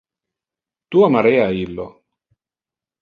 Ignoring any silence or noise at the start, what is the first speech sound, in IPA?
t̪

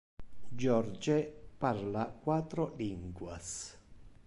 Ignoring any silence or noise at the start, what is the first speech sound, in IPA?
d͡ʒ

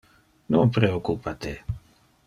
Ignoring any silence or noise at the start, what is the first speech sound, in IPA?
n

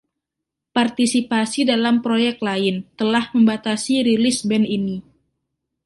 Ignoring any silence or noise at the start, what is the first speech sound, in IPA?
p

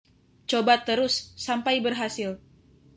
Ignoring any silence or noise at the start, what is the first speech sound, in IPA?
t͡ʃ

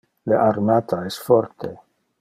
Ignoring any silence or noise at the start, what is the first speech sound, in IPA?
l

